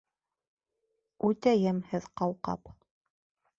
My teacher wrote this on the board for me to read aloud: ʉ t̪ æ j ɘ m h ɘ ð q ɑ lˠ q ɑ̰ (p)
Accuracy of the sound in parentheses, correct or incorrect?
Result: correct